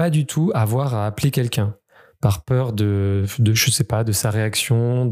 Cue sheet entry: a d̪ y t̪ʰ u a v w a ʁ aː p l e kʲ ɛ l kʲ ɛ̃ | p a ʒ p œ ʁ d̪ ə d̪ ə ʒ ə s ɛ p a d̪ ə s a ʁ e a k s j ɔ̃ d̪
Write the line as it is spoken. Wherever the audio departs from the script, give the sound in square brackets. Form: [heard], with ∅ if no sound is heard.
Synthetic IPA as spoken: a d̪ y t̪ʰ u a v w a ʁ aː p l e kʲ ɛ l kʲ ɛ̃ | p a [ʁ] p œ ʁ d̪ ə d̪ ə ʒ ə s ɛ p a d̪ ə s a ʁ e a k s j ɔ̃ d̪